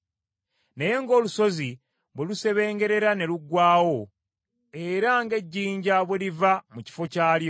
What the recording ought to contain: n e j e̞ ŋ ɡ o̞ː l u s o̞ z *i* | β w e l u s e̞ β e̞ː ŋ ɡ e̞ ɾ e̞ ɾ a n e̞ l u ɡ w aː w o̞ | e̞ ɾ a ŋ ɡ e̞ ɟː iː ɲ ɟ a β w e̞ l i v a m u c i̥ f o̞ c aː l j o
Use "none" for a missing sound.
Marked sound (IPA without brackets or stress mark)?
i